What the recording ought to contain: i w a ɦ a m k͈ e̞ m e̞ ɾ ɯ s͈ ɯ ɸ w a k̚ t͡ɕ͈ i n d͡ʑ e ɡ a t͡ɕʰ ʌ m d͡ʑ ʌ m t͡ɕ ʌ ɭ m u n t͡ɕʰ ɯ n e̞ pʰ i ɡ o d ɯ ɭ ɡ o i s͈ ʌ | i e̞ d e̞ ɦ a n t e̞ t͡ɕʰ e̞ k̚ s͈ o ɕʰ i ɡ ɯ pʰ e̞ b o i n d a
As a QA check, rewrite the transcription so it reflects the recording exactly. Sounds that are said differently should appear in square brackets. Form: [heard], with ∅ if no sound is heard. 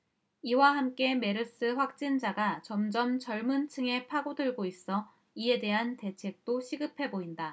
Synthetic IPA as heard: i w a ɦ a m k͈ e̞ m e̞ ɾ ɯ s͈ ɯ ɸ w a k̚ t͡ɕ͈ i n d͡ʑ [a] ɡ a [t͡ɕ] ʌ m d͡ʑ ʌ m t͡ɕ ʌ ɭ m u n t͡ɕʰ ɯ [ŋ] e̞ pʰ [a] ɡ o d ɯ ɭ ɡ o i s͈ ʌ | i e̞ d e̞ ɦ a n t e̞ t͡ɕʰ e̞ k̚ [t͈] o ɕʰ i ɡ ɯ pʰ e̞ b o i n d a